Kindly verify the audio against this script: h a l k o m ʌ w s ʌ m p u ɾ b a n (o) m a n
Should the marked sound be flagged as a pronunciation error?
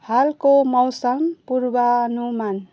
yes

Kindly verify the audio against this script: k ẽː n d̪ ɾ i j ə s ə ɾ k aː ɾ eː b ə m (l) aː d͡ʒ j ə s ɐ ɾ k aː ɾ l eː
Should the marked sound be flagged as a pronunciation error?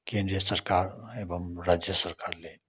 yes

